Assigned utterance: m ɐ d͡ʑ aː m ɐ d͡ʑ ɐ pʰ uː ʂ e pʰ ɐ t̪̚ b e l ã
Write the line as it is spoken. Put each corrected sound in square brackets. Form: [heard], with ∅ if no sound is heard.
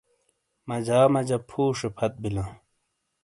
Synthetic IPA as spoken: m ɐ d͡ʑ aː m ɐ d͡ʑ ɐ pʰ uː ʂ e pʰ ɐ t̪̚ b [i] l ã